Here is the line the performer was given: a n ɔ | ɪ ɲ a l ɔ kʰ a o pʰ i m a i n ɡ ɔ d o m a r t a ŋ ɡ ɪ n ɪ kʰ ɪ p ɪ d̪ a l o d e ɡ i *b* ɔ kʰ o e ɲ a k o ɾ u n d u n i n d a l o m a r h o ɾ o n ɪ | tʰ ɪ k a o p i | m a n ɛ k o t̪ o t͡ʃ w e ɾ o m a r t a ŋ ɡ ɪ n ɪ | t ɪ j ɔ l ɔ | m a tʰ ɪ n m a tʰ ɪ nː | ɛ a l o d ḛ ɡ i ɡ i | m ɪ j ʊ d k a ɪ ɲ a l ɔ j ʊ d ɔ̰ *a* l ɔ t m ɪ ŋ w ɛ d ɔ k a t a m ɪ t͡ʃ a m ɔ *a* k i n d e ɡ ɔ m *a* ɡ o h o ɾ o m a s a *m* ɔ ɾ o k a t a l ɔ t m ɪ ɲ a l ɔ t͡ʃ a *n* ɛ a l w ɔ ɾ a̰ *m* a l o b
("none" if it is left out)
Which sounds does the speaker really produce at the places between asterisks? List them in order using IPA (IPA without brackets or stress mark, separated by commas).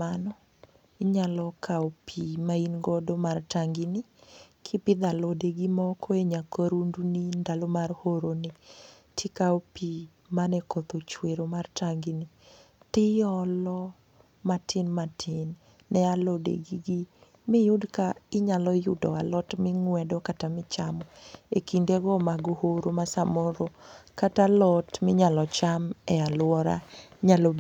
m, a, e, a, m, m, ɲ